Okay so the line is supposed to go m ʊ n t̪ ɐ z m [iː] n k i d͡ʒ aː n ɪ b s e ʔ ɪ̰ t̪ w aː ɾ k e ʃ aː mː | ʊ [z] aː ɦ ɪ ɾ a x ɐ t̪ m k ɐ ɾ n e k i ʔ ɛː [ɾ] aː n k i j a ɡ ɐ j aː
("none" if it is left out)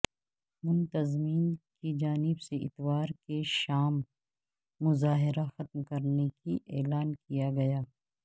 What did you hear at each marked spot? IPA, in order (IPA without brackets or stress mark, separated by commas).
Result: iː, z, l